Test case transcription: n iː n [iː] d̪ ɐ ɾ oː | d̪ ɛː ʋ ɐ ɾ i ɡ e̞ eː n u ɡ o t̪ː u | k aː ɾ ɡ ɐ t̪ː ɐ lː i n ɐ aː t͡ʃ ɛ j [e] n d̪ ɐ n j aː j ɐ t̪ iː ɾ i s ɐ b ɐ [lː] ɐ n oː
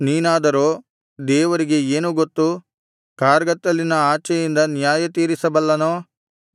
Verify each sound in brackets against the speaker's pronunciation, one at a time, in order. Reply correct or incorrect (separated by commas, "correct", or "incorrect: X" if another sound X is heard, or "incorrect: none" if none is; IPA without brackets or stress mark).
incorrect: aː, incorrect: i, correct